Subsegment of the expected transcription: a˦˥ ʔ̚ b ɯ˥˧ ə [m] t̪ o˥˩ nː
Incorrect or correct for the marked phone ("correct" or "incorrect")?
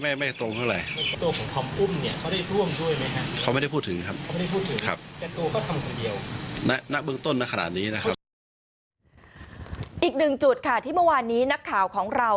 incorrect